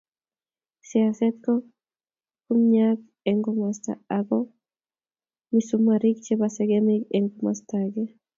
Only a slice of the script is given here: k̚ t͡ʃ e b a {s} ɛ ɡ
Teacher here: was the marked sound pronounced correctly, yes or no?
yes